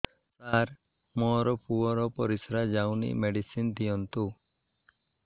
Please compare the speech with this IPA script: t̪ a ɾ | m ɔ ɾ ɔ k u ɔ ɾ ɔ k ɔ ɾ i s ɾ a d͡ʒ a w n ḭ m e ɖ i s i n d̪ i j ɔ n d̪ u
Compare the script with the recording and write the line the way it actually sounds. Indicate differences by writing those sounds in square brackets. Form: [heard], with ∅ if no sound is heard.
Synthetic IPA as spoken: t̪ a ɾ | m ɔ ɾ ɔ [p] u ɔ ɾ ɔ [p] ɔ ɾ i s ɾ a d͡ʒ a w n ḭ m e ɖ i s i n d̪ i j ɔ n [t̪] u